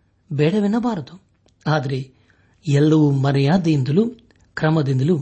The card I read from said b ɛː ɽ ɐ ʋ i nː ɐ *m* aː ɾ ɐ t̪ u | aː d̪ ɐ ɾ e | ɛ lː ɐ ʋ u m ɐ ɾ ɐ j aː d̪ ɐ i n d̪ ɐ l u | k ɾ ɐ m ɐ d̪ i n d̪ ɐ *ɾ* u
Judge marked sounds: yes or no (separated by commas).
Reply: no, no